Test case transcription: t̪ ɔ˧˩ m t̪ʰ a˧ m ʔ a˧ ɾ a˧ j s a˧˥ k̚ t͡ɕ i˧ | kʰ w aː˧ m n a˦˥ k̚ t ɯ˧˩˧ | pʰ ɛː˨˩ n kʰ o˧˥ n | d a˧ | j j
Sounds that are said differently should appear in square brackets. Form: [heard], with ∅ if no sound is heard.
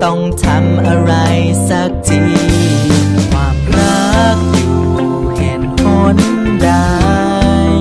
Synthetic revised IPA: t̪ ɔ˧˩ [ŋ] t̪ʰ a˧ m ʔ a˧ ɾ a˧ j s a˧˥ k̚ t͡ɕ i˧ | kʰ w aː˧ m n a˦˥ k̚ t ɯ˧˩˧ | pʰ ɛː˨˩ n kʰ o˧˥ n | d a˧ | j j

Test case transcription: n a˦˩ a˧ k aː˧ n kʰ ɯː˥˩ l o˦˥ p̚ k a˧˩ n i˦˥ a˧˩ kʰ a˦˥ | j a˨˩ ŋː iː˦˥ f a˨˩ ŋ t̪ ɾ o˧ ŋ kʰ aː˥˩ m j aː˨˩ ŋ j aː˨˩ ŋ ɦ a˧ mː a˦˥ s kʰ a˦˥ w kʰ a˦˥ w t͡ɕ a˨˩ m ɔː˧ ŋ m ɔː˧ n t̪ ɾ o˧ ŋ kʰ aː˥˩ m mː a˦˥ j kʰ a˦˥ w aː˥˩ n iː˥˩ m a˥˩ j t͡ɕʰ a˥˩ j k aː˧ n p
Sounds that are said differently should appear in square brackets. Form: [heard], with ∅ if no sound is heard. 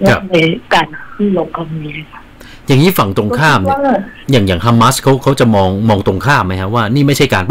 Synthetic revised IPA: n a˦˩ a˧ k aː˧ n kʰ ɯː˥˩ l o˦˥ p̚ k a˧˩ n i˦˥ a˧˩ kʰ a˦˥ | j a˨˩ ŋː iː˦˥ f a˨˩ ŋ t̪ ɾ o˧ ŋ kʰ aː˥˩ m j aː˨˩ ŋ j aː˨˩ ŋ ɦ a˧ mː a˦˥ s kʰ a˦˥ w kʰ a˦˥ w t͡ɕ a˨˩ m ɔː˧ ŋ m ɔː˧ [ŋ] t̪ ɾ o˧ ŋ kʰ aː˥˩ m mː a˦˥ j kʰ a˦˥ w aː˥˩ n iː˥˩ m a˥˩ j t͡ɕʰ a˥˩ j k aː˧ n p

